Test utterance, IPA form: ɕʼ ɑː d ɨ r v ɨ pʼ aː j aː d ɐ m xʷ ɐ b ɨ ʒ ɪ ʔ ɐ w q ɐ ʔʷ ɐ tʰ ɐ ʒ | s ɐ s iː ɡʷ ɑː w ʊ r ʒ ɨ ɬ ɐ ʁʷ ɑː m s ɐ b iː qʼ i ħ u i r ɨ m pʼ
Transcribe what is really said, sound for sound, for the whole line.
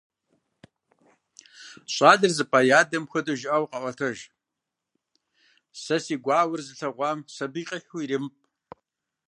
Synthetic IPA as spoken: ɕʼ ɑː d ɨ r z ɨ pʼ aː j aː d ɐ m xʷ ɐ d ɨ ʒ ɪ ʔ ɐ w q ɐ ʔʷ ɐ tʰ ɐ ʒ | s ɐ s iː ɡʷ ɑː w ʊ r z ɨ ɬ ɐ ʁʷ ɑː m s ɐ b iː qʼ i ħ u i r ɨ m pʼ